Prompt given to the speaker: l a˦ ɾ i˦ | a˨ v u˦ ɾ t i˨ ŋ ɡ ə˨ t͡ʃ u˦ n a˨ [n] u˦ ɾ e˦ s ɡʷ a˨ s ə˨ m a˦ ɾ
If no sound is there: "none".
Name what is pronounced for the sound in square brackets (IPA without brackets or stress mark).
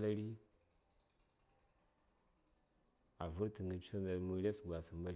m